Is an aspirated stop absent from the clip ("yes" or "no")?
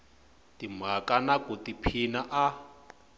no